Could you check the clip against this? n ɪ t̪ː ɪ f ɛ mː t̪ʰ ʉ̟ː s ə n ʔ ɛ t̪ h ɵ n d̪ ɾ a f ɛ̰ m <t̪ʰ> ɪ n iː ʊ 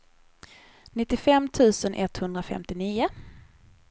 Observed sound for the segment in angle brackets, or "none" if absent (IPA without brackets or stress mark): t̪